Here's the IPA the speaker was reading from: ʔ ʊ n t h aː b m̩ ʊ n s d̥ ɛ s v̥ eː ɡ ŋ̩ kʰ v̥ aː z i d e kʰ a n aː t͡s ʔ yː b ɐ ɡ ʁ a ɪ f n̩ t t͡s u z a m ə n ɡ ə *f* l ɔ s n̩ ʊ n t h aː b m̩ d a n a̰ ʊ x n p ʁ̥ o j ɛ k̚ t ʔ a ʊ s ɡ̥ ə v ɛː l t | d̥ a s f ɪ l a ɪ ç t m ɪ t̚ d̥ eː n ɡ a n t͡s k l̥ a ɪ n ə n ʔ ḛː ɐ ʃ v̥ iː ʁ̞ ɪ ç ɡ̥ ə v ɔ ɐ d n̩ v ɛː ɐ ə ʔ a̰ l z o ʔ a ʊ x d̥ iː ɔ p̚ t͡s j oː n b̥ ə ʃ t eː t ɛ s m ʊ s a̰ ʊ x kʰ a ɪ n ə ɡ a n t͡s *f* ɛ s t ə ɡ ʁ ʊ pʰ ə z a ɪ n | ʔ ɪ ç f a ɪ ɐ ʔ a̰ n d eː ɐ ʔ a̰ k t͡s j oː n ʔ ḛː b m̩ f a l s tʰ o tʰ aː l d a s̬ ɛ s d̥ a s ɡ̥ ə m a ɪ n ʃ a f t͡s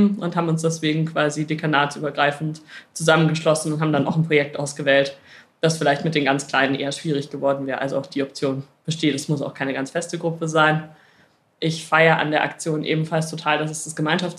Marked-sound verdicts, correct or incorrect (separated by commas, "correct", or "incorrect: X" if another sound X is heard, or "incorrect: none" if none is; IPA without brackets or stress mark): incorrect: ʃ, correct